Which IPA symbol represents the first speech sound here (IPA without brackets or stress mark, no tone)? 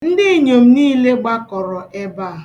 n̩